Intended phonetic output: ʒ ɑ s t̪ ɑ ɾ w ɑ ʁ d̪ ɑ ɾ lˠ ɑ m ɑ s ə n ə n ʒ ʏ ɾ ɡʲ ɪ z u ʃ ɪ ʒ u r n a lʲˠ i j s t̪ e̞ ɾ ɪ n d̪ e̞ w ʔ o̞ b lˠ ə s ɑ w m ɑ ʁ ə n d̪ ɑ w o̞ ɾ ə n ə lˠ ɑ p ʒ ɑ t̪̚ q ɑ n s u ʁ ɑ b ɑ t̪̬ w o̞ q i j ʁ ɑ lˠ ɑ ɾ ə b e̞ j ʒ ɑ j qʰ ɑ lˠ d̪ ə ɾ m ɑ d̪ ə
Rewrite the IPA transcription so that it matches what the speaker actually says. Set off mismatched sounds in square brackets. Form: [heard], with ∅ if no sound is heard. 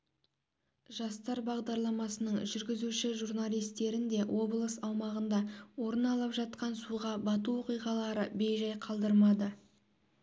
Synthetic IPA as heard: ʒ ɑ s t̪ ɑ ɾ [b] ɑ ʁ d̪ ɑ ɾ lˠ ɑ m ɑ s ə n ə [ɴ] ʒ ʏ ɾ ɡʲ ɪ z u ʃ ɪ ʒ u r n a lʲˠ i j s t̪ e̞ ɾ ɪ n d̪ e̞ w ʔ o̞ b lˠ ə s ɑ w m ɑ ʁ ə n d̪ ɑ w o̞ ɾ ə n [ɑ] lˠ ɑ p ʒ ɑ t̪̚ q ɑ n s u ʁ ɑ b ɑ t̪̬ [u] o̞ q i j ʁ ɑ lˠ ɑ ɾ ə b e̞ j ʒ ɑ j qʰ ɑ lˠ d̪ ə ɾ m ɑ d̪ ə